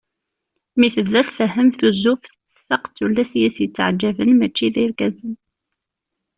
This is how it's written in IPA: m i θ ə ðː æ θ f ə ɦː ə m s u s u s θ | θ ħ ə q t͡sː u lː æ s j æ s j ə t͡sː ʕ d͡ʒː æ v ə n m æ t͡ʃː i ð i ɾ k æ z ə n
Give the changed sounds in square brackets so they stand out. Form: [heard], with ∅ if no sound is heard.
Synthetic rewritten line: m i θ ə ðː æ θ f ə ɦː ə m [θ] u [z] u [f] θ | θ [f] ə q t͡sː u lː æ s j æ s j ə t͡sː ʕ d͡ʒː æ v ə n m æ t͡ʃː i ð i ɾ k æ z ə n

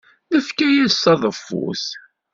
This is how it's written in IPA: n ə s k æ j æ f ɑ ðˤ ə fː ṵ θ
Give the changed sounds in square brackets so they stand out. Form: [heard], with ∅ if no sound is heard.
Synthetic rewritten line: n ə [f] k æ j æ [s] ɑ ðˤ ə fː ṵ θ

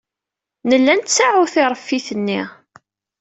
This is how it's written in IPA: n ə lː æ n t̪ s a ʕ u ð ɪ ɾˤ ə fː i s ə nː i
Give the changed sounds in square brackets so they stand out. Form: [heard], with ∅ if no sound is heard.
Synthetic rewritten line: n ə lː æ n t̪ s a ʕ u [θ] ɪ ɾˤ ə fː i [θ] ə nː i

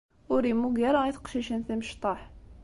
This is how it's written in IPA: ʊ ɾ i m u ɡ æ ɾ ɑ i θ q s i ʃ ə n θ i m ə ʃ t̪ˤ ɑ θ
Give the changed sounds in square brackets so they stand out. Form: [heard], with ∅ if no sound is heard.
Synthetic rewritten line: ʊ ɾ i m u ɡ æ ɾ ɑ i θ q [ʃ] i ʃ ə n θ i m ə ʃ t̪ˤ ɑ [ħ]

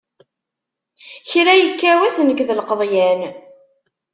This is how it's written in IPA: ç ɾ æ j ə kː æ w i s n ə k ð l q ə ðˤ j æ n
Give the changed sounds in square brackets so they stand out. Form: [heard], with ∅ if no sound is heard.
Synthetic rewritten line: ç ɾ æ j ə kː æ w [æ] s n ə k ð l q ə ðˤ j æ n

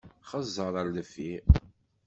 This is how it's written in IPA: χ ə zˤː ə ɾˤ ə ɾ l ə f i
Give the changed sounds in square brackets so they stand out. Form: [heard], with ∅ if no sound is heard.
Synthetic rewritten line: χ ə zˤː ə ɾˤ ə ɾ l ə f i

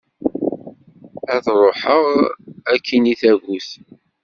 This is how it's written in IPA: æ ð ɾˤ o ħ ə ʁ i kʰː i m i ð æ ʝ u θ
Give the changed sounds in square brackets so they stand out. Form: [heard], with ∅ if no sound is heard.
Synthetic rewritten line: æ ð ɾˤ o ħ ə ʁ [æ] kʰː i [n] i [θ] æ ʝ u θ

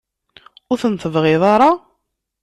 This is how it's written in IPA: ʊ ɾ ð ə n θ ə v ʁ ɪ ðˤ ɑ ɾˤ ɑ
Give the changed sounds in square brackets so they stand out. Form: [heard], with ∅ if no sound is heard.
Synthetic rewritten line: ʊ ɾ [θ] ə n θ ə v ʁ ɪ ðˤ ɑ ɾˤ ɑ

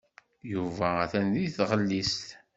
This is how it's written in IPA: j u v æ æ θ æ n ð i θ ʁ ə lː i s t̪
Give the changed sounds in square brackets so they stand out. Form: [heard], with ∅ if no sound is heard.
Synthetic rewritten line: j u v æ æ θ æ n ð i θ ʁ ə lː i s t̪

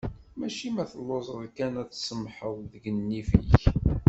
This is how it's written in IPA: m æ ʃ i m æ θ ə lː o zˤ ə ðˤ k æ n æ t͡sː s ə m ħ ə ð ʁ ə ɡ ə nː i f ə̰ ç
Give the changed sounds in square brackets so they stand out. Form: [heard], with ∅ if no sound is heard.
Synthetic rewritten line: m æ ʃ i m æ θ ə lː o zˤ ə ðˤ k æ n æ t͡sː s ə m ħ ə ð [ð] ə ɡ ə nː i f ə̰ ç

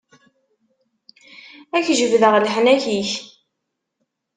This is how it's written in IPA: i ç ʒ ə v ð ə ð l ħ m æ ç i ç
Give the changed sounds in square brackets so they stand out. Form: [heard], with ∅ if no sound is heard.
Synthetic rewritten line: [æ] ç ʒ ə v ð ə [ʁ] l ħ [n] æ ç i ç

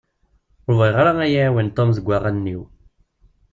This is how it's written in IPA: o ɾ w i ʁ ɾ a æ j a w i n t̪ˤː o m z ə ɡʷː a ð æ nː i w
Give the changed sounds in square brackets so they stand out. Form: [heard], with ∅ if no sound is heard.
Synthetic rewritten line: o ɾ [v] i ʁ ɾ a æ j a w i n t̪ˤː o m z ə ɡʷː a [ʁ] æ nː i w

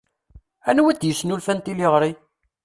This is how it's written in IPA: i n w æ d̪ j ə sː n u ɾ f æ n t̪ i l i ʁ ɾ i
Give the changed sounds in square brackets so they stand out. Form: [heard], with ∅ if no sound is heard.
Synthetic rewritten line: [æ] n w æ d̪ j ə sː n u [l] f æ n t̪ i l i ʁ ɾ i

